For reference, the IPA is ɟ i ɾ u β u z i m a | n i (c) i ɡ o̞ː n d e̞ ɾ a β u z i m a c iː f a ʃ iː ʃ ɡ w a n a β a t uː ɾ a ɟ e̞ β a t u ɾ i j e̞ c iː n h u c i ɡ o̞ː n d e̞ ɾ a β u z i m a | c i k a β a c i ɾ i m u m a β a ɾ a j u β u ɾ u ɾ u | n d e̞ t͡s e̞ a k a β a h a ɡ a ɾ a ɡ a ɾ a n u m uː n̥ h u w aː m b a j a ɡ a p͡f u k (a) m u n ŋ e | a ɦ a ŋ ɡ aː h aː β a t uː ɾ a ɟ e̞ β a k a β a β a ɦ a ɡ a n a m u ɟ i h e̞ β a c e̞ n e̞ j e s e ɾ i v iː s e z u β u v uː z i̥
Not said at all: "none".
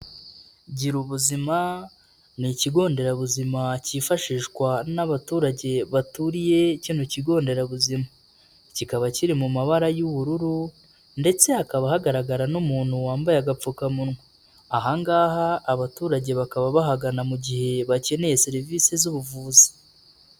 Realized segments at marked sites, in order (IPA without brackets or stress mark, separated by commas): c, a